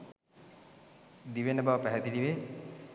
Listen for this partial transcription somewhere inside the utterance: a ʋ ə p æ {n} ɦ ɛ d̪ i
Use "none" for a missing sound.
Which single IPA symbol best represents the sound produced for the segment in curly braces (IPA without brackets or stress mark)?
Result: none